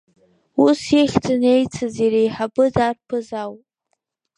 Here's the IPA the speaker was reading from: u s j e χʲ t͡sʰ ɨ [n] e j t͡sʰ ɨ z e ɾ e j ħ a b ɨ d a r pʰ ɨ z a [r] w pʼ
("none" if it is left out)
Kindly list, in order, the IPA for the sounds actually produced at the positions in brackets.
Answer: n, none

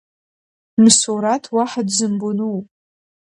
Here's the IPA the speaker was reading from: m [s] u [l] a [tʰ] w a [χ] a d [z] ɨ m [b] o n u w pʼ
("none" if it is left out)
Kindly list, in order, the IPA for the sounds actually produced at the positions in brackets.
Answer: s, ɾ, tʰ, ħ, z, b

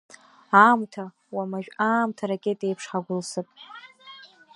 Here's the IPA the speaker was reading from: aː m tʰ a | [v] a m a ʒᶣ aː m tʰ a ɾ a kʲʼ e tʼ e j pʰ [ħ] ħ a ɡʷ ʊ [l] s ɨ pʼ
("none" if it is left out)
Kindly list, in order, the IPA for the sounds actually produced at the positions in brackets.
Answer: w, ʂ, l

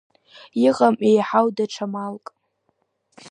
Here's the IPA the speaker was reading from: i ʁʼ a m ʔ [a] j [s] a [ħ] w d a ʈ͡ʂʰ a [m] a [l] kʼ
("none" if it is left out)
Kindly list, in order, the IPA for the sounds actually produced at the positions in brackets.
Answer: e, ħ, none, m, l

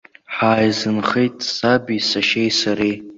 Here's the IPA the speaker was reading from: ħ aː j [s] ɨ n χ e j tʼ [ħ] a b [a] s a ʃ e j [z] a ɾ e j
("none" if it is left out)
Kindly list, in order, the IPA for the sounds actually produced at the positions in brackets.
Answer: z, s, i, s

